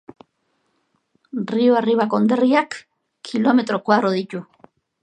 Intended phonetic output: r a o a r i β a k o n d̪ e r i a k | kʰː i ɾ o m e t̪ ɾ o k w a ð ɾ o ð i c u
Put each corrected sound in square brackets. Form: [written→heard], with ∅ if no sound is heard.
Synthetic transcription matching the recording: r [a→i] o a r i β a k o n d̪ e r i a k | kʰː i [ɾ→l] o m e t̪ ɾ o k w a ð ɾ o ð i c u

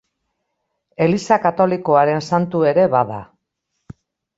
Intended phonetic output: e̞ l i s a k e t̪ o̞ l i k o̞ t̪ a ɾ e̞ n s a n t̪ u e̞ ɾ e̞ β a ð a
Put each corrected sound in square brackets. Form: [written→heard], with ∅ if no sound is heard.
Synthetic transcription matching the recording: e̞ l i s a k [e→a] t̪ o̞ l i k o̞ [t̪→∅] a ɾ e̞ n s a n t̪ u e̞ ɾ e̞ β a ð a

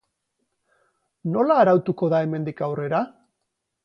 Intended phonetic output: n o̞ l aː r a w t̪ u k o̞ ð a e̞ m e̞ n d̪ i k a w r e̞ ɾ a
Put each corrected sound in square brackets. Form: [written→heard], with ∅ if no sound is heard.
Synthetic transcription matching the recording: n o̞ l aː [r→ɾ] a w t̪ u k o̞ ð a e̞ m e̞ n d̪ i k a w r e̞ ɾ a

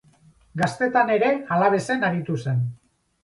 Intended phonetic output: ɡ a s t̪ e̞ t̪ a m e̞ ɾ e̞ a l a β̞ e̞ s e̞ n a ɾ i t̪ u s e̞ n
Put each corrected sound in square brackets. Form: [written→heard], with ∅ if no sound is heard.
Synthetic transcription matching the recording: ɡ a s t̪ e̞ t̪ a [m→n] e̞ ɾ e̞ a l a β̞ e̞ s e̞ n a ɾ i t̪ u s e̞ n

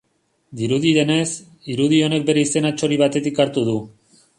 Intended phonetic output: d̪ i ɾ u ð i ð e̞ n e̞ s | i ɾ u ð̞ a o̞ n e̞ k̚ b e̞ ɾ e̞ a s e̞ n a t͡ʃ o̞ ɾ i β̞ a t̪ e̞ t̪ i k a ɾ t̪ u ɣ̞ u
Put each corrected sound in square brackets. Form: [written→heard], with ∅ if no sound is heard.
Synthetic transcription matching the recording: d̪ i ɾ u ð i ð e̞ n e̞ s | i ɾ u ð̞ [a→i] o̞ n e̞ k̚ b e̞ ɾ e̞ [a→i] s e̞ n a t͡ʃ o̞ ɾ i β̞ a t̪ e̞ t̪ i k a ɾ t̪ u [ɣ̞→ð̞] u

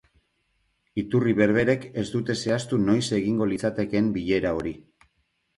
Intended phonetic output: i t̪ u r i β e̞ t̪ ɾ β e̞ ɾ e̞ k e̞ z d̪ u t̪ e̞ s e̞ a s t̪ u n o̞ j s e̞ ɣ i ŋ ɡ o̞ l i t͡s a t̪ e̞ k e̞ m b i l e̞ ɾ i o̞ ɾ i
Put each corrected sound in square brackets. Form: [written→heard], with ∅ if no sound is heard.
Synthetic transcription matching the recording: i t̪ u r i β e̞ [t̪→∅] ɾ β e̞ ɾ e̞ k e̞ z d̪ u t̪ e̞ s e̞ a s t̪ u n o̞ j s e̞ ɣ i ŋ ɡ o̞ l i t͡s a t̪ e̞ k e̞ m b i [l→ʎ] e̞ ɾ [i→a] o̞ ɾ i

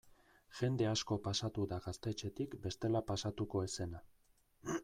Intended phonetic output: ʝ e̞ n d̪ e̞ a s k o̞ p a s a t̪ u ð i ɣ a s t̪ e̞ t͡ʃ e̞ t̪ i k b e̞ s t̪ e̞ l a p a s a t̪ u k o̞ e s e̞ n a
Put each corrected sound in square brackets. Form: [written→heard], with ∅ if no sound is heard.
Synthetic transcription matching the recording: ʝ e̞ n d̪ e̞ a s k o̞ p a s a t̪ u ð [i→a] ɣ a s t̪ e̞ t͡ʃ e̞ t̪ i k b e̞ s t̪ e̞ l a p a s a t̪ u k o̞ e s e̞ n a

